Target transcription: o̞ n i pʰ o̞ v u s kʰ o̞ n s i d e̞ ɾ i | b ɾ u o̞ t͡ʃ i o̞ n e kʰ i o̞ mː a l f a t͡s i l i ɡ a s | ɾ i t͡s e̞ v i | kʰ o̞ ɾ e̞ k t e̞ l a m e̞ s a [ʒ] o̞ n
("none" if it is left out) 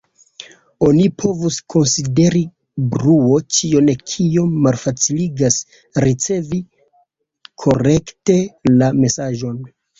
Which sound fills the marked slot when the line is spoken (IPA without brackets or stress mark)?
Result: ʒ